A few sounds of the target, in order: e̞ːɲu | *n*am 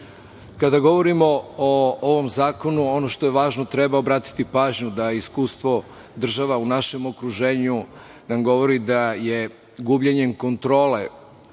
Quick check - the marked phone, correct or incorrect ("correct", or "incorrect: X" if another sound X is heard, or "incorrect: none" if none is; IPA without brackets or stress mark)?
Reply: correct